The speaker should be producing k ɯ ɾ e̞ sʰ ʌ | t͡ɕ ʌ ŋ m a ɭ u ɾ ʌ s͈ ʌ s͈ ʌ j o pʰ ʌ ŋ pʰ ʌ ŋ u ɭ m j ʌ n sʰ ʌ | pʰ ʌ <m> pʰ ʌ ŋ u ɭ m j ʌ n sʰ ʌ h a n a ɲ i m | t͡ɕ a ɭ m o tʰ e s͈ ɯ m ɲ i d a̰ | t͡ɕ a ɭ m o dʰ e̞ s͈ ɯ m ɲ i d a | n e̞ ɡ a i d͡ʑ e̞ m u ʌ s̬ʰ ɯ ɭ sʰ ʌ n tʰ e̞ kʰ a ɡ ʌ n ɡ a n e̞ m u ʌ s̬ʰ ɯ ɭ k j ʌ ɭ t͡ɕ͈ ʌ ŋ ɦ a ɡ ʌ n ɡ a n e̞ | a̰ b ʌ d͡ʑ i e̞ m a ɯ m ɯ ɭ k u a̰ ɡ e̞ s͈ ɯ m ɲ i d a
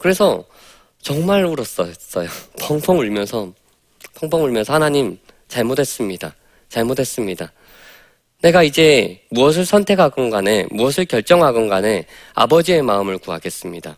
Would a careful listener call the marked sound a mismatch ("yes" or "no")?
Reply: yes